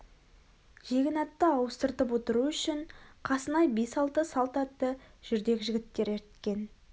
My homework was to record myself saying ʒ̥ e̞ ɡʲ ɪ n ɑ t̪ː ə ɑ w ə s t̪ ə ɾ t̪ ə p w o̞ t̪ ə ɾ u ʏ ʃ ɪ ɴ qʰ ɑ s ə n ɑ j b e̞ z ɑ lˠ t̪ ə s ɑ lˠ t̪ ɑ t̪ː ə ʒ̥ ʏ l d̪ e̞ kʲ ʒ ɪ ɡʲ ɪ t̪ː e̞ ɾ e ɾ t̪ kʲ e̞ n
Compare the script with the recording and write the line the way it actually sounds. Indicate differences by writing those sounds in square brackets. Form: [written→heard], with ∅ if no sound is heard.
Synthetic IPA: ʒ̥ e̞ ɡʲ ɪ n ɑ t̪ː ə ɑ w ə s t̪ ə ɾ t̪ ə p w o̞ t̪ ə ɾ u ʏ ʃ ɪ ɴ qʰ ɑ s ə n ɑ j b e̞ [z→s] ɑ lˠ t̪ ə s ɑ lˠ t̪ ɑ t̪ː ə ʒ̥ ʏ [l→ɾ] d̪ e̞ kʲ ʒ ɪ ɡʲ ɪ t̪ː e̞ ɾ e ɾ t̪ kʲ e̞ n